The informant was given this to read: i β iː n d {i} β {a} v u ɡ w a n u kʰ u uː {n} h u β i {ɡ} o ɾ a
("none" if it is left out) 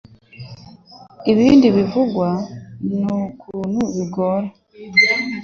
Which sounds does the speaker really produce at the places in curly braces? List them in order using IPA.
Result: i, i, n, ɡ

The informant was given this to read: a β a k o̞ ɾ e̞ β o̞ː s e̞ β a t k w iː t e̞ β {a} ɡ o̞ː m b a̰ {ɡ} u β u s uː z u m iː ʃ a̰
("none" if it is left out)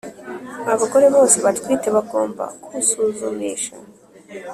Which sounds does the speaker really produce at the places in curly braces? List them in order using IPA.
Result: a, k

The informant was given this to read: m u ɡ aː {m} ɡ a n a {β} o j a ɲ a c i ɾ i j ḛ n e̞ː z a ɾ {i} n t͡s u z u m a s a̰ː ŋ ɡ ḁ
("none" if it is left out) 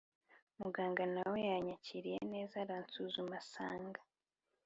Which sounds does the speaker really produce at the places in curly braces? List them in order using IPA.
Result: ŋ, w, a

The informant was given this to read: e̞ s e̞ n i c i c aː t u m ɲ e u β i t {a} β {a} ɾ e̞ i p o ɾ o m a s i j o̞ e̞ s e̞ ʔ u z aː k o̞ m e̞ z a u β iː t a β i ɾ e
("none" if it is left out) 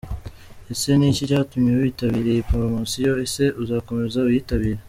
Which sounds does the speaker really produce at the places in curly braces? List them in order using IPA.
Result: a, i

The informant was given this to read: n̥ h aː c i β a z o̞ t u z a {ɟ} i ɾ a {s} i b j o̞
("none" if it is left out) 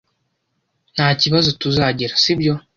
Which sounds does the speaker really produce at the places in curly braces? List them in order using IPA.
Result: ɟ, s

